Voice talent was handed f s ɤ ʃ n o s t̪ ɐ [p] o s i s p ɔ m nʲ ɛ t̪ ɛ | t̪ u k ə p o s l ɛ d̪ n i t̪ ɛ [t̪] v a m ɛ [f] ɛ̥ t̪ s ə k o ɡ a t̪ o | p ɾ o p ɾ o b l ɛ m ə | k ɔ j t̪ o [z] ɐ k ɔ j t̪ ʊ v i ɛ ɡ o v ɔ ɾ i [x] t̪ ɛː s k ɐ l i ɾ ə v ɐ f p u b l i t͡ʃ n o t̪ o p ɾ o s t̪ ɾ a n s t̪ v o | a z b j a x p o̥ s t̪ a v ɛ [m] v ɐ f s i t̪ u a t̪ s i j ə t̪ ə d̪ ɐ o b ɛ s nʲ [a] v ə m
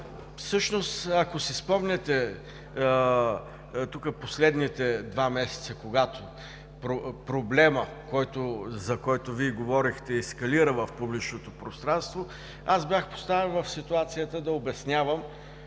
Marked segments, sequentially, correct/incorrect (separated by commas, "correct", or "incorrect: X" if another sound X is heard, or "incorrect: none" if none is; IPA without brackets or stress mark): incorrect: k, incorrect: d̪, incorrect: s, correct, correct, incorrect: n, correct